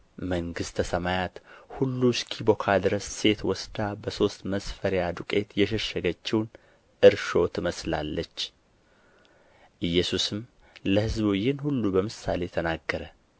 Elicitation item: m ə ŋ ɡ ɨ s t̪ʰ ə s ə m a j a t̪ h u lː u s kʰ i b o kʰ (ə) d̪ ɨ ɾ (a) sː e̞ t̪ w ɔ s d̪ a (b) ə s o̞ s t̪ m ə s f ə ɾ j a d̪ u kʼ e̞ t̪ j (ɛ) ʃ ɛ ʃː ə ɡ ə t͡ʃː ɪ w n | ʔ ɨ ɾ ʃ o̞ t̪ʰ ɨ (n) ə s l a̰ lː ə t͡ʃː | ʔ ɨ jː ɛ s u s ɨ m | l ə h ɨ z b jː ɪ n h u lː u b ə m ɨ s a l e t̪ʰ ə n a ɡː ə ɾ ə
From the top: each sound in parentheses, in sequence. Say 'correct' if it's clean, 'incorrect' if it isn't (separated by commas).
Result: incorrect, incorrect, correct, correct, incorrect